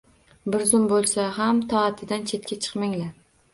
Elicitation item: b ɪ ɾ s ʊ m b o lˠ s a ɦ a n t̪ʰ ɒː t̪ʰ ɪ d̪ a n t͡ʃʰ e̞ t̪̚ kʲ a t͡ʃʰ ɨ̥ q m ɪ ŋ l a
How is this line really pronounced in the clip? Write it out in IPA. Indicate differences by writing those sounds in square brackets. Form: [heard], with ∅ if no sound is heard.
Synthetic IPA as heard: b ɪ ɾ [z] ʊ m b o lˠ s a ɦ a [m] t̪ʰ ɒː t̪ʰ ɪ d̪ a n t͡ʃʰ e̞ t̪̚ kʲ a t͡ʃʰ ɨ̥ q m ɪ ŋ l a